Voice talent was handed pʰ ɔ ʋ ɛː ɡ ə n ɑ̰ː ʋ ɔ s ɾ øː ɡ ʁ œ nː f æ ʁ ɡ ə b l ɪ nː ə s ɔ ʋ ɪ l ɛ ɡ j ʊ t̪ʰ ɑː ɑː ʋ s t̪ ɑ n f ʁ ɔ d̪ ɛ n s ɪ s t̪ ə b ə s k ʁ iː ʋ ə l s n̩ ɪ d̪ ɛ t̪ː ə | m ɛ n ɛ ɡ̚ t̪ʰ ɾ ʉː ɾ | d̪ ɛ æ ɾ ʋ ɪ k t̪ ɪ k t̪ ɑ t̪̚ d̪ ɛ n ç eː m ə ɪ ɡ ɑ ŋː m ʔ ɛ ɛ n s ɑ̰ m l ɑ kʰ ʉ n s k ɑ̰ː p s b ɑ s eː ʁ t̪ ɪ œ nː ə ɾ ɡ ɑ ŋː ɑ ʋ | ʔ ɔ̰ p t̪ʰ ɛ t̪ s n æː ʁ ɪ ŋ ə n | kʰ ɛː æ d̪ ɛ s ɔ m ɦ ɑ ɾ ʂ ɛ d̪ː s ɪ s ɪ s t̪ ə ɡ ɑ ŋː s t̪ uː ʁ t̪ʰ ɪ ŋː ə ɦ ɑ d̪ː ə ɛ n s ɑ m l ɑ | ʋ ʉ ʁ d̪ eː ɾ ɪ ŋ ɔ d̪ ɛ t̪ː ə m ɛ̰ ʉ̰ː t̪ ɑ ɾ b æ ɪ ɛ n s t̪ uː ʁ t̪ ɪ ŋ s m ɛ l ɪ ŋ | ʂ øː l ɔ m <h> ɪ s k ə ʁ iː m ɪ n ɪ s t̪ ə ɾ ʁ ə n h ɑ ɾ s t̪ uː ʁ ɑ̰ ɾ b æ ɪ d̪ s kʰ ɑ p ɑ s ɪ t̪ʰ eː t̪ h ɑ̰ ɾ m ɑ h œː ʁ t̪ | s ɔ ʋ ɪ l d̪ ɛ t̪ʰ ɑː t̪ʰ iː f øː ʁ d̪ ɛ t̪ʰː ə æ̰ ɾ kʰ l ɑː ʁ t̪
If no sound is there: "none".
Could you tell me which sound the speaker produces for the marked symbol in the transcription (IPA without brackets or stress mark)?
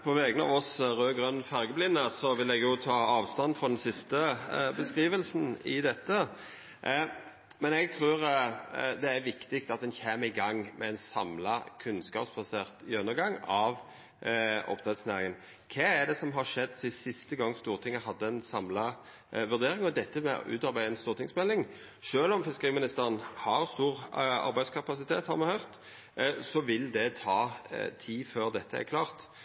f